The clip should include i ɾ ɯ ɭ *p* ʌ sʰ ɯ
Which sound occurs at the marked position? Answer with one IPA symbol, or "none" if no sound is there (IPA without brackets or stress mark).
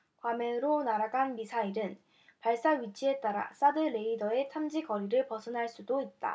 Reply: p